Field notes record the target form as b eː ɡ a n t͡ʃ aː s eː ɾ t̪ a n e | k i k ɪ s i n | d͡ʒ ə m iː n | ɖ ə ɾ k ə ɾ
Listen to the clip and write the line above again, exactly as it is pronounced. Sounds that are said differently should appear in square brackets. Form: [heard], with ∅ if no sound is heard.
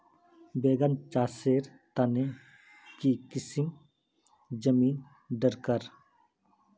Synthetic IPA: b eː ɡ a n t͡ʃ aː s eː ɾ t̪ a n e | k i k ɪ s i [m] | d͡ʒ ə m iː n | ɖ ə ɾ k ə ɾ